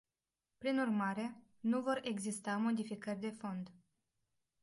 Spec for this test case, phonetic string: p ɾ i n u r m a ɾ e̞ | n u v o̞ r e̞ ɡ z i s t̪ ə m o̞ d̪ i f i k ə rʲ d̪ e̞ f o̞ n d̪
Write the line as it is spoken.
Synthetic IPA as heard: p ɾ i n u r m a ɾ e̞ | n u v o̞ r e̞ ɡ z i s t̪ a m o̞ d̪ i f i k ə rʲ d̪ e̞ f o̞ n d̪